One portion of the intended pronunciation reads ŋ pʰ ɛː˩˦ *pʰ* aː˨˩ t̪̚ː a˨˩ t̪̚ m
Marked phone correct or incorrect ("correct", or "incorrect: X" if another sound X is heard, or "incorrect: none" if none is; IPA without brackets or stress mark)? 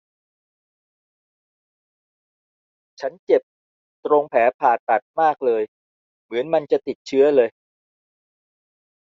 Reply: correct